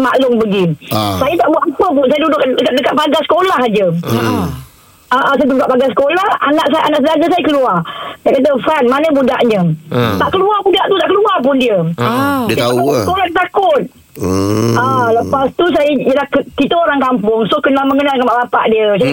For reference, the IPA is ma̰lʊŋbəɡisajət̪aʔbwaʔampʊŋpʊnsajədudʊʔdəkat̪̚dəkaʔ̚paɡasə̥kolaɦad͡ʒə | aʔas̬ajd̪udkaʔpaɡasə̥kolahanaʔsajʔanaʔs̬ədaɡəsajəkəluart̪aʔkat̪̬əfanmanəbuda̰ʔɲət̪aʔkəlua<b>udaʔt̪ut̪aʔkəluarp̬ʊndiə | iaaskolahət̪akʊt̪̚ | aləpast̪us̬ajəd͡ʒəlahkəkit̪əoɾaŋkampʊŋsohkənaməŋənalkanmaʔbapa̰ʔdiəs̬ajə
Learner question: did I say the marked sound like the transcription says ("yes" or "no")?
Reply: yes